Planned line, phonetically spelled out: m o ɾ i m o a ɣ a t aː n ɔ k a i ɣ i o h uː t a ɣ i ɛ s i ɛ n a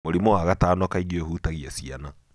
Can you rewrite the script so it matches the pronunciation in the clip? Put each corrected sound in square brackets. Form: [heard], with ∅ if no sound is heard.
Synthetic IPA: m o ɾ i m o a ɣ a t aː n ɔ k a i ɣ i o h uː t a ɣ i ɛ s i [a] n a